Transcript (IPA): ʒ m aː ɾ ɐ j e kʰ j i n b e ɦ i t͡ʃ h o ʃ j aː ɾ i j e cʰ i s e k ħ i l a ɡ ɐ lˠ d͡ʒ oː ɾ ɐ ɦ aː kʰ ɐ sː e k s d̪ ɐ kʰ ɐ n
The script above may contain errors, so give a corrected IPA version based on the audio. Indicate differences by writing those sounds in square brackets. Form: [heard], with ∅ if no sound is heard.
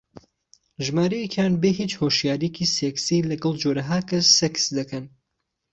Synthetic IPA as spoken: ʒ m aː ɾ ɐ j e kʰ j [a] n b e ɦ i t͡ʃ h o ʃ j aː ɾ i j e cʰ i s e k [s] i l [ɐ] ɡ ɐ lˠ d͡ʒ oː ɾ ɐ ɦ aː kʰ ɐ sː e k s d̪ ɐ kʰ ɐ n